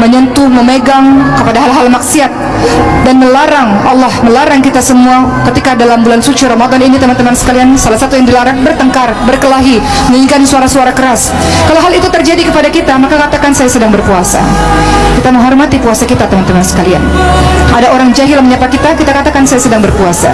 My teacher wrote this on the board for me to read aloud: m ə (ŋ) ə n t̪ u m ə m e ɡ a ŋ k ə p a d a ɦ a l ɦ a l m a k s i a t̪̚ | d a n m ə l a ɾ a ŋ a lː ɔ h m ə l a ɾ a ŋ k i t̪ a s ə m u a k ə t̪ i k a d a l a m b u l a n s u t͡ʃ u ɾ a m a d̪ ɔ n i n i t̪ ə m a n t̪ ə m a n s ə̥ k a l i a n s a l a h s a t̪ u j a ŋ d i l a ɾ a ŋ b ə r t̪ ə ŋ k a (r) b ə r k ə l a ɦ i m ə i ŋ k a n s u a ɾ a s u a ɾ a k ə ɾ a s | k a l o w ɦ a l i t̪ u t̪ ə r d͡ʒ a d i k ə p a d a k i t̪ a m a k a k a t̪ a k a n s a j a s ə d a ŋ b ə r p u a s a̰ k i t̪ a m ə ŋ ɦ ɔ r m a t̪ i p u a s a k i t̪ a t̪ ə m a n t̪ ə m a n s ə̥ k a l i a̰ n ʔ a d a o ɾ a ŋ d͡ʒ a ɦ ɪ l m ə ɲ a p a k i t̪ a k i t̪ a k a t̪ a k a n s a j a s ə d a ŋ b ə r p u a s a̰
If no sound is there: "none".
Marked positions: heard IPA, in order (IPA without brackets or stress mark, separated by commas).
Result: ɲ, r